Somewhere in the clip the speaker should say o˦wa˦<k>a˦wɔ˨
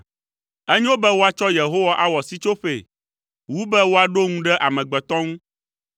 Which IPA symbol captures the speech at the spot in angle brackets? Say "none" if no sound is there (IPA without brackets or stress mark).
ʔ